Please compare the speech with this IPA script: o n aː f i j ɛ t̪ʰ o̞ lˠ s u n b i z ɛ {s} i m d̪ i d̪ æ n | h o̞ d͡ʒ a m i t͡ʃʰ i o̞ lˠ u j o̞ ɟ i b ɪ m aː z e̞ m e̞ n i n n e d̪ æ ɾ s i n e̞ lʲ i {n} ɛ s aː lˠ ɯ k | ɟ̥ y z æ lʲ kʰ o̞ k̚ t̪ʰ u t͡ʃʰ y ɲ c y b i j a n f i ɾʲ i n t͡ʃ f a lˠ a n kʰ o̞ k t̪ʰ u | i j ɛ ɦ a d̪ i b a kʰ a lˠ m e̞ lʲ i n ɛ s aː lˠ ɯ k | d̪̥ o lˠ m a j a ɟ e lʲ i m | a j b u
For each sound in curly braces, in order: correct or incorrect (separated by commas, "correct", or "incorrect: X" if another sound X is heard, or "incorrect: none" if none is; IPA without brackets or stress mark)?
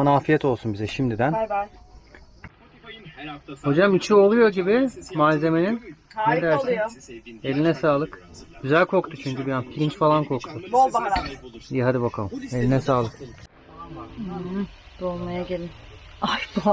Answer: incorrect: ʃ, correct